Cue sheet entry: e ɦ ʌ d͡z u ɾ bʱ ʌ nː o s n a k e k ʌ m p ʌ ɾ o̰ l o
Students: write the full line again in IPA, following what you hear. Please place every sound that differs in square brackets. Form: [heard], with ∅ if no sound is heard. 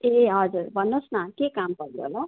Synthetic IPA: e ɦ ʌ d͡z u ɾ bʱ ʌ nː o s n a k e k [a] m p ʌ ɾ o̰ l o